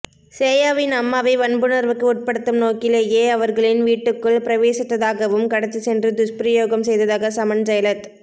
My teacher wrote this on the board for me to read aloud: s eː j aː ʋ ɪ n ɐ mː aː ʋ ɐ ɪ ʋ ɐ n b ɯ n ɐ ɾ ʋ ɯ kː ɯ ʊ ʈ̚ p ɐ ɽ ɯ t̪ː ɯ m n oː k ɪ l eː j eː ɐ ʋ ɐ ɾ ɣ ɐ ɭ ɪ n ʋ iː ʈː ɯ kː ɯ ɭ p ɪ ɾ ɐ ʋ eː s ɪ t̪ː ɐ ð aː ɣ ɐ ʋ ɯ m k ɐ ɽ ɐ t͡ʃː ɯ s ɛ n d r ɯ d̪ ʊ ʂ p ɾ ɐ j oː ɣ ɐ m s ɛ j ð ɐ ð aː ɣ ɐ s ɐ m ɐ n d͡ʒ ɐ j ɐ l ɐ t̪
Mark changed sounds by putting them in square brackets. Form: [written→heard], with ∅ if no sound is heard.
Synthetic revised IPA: s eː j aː ʋ ɪ n ɐ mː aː ʋ ɐ ɪ ʋ ɐ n b ɯ n ɐ ɾ ʋ ɯ kː ɯ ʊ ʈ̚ p ɐ ɽ ɯ t̪ː ɯ m n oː k ɪ l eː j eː ɐ ʋ ɐ ɾ ɣ ɐ ɭ ɪ n ʋ iː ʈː ɯ kː ɯ ɭ p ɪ ɾ ɐ ʋ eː s ɪ t̪ː ɐ ð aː ɣ ɐ ʋ ɯ m k ɐ ɽ ɐ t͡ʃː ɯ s ɛ n d r ɯ d̪ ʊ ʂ p ɾ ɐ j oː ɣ ɐ m s ɛ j ð ɐ ð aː ɣ ɐ s ɐ m ɐ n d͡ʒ ɐ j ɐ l ɐ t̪